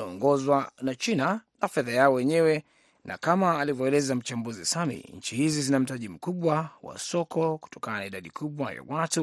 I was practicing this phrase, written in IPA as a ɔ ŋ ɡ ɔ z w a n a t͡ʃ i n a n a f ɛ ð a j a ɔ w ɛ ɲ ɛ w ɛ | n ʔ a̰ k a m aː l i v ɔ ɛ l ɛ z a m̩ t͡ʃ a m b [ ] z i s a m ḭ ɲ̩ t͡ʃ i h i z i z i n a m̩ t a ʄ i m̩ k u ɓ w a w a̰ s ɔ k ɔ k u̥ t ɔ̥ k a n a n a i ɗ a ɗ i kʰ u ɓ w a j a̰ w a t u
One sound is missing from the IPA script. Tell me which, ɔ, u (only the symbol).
u